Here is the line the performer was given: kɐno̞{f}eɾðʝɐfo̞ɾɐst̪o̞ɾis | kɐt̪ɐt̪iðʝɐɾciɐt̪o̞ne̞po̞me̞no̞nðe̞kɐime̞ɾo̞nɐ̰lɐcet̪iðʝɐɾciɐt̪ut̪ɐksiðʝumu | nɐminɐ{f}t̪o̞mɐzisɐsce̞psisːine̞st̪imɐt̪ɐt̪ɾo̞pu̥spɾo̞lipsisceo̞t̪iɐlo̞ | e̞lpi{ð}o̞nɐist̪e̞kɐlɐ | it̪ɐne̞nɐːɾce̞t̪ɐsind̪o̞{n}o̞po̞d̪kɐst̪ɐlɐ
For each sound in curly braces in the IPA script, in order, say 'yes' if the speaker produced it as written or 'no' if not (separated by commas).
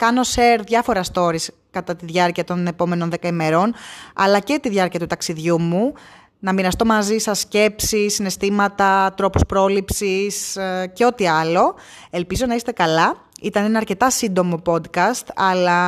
no, no, no, no